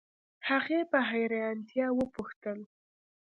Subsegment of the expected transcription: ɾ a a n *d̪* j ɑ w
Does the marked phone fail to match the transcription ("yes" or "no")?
yes